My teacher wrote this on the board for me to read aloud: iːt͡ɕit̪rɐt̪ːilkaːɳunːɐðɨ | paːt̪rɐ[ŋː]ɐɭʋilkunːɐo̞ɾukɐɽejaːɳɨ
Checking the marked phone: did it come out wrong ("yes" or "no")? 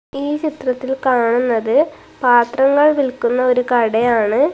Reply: no